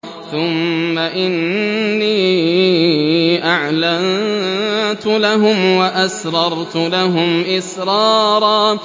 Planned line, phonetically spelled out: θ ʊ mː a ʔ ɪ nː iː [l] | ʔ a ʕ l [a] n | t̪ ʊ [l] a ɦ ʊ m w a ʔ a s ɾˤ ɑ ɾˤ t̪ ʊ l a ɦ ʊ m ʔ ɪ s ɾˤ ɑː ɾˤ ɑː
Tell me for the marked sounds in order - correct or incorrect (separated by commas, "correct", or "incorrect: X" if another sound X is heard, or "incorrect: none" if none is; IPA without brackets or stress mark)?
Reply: incorrect: none, correct, correct